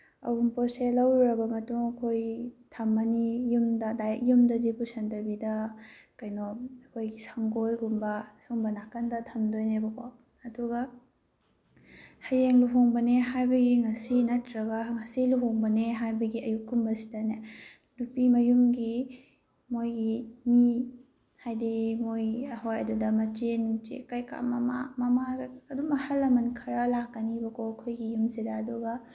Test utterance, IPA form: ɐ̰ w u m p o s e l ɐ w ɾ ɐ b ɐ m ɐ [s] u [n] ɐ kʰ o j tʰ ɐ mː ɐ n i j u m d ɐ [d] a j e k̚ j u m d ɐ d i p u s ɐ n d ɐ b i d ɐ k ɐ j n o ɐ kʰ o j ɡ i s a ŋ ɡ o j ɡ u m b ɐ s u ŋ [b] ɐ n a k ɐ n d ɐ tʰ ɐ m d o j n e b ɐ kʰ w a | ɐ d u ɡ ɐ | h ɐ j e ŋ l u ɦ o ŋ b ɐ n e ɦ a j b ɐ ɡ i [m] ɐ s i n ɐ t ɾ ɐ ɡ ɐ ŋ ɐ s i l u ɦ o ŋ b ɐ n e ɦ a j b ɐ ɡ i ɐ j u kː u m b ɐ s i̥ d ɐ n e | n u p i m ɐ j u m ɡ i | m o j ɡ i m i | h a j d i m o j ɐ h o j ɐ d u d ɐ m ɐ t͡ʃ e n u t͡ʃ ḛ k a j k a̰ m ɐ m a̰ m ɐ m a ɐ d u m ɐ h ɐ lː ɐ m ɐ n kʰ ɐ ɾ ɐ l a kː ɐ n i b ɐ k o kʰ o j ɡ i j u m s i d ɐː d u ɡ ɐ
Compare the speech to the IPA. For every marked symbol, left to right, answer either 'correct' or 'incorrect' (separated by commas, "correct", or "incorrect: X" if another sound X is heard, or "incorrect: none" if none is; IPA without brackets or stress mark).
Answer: incorrect: t, incorrect: ŋ, correct, correct, incorrect: ŋ